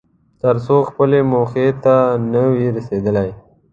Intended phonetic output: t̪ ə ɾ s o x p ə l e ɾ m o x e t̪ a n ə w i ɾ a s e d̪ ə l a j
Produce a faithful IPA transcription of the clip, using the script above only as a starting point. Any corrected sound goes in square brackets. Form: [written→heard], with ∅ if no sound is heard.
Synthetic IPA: t̪ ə ɾ s o x p ə l e [ɾ→∅] m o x e t̪ a n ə w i ɾ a s e d̪ ə l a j